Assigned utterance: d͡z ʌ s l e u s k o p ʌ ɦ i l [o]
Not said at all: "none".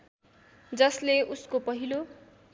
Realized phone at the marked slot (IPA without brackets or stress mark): o